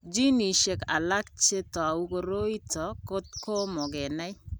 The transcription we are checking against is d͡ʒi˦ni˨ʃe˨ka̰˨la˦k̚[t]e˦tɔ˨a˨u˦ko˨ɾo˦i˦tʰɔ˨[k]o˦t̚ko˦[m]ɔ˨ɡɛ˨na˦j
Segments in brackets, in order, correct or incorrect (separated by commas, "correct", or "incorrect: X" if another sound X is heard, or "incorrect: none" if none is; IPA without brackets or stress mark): incorrect: t͡ʃ, correct, correct